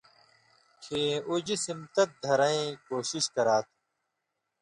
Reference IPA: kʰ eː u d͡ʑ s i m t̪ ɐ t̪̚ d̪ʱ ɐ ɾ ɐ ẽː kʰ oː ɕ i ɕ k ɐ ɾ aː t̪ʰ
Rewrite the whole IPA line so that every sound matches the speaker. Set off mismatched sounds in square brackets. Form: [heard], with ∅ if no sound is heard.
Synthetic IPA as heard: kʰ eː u d͡ʑ s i m t̪ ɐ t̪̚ d̪ʱ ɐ ɾ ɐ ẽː [k] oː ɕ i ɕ k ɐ ɾ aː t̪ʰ